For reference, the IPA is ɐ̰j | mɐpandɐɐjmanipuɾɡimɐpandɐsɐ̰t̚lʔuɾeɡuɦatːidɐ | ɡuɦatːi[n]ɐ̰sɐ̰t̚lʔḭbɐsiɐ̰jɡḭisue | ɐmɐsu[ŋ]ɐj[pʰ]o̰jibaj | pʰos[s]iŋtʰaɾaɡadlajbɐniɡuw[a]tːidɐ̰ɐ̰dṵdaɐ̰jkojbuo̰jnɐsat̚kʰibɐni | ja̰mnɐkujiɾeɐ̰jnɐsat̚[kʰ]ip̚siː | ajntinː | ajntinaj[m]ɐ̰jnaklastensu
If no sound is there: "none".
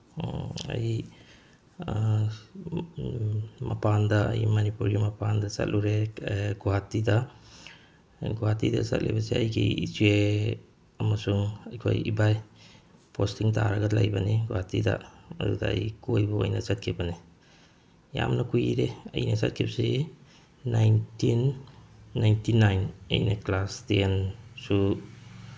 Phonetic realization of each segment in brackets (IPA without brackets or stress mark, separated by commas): d, ŋ, kʰ, t, a, kʰ, n